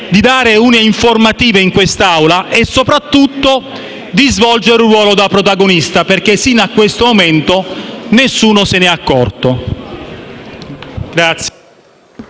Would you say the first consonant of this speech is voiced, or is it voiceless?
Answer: voiced